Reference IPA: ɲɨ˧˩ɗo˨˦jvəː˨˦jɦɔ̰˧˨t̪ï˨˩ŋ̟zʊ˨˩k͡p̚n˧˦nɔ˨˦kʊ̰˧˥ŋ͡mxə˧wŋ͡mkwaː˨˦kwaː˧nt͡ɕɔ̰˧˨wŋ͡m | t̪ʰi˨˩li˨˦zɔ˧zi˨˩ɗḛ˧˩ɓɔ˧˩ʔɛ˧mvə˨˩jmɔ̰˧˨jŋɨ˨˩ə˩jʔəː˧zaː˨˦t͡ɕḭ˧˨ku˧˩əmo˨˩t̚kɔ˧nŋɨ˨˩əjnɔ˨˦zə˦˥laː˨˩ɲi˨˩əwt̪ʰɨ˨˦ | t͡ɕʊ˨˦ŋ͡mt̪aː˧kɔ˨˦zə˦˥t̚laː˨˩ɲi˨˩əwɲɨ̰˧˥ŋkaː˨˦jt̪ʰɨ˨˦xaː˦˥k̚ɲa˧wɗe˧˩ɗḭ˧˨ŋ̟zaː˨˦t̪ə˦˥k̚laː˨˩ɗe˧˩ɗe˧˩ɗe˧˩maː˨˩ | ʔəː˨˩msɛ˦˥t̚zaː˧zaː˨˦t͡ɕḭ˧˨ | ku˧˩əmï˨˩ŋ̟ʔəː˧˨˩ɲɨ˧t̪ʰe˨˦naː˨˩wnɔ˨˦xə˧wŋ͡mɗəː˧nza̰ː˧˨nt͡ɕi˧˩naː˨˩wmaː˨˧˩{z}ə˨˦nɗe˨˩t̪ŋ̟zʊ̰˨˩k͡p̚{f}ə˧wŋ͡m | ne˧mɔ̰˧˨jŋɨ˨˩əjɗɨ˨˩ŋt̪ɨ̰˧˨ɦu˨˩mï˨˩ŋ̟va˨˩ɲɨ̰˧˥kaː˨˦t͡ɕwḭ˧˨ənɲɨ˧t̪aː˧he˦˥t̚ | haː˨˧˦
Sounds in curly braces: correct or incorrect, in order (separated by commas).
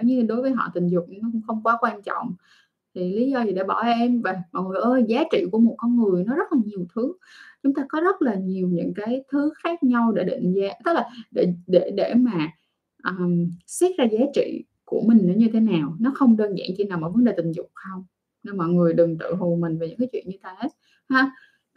incorrect, incorrect